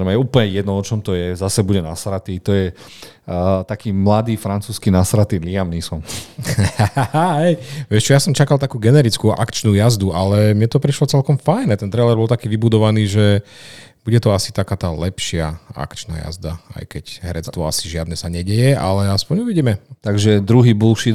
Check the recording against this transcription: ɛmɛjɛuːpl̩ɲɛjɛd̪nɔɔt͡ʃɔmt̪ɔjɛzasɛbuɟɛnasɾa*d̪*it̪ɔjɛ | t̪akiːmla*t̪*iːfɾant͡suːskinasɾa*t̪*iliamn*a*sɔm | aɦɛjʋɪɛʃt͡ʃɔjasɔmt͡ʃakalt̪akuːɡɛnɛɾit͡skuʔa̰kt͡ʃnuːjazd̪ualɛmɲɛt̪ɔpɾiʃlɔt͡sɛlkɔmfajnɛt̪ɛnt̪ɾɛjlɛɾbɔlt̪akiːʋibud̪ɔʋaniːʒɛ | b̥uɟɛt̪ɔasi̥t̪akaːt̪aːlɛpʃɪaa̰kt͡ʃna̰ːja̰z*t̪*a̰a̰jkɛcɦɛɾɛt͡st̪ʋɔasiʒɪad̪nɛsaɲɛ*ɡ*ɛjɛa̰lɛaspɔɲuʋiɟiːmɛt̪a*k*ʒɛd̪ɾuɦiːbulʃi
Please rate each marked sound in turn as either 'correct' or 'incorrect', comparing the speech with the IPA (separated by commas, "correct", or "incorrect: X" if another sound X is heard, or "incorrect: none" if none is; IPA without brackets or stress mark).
incorrect: t̪, incorrect: d̪, correct, incorrect: i, incorrect: d̪, incorrect: ɟ, incorrect: ɡ